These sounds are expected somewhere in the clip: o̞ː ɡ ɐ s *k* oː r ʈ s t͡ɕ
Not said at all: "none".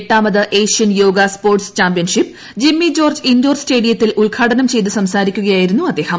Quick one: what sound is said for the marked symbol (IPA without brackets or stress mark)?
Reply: p